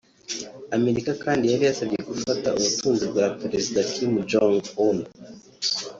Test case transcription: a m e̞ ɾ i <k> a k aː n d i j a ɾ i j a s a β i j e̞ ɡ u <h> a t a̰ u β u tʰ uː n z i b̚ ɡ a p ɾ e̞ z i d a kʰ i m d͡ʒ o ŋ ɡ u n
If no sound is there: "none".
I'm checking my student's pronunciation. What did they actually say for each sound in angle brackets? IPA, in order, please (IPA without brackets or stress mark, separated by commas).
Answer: k, f